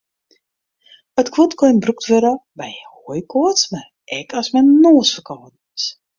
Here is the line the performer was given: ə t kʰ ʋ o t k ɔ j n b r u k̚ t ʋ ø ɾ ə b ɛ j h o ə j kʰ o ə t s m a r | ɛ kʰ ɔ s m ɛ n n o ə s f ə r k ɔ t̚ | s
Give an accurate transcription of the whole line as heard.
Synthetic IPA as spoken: ə t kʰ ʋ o t k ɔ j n b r u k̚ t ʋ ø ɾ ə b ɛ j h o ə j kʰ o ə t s m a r | ɛ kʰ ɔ s m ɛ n n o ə s f ə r k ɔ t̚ | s